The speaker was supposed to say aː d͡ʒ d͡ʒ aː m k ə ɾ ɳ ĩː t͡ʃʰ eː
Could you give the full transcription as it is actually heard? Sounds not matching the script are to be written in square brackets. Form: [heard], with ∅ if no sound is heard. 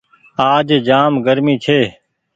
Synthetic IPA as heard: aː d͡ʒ d͡ʒ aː m [ɡ] ə ɾ [m] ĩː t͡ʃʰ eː